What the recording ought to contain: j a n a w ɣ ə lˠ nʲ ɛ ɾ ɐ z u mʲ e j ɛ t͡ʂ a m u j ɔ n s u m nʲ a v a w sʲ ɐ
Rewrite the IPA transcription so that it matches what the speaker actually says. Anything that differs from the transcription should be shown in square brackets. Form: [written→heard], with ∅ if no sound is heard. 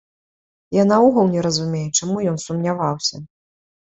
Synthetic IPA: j a n a [w→u] ɣ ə lˠ nʲ ɛ ɾ ɐ z u mʲ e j ɛ t͡ʂ a m u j ɔ n s u m nʲ a v a w sʲ ɐ